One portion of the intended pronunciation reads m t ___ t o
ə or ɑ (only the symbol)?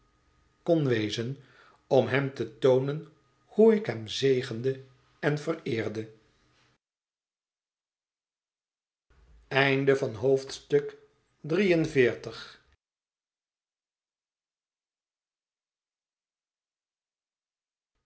ə